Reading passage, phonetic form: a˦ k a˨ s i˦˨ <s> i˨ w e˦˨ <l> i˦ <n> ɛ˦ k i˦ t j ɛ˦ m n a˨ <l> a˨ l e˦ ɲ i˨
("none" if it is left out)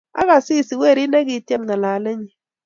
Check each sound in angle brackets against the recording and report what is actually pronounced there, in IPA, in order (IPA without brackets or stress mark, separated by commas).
s, ɾ, n, l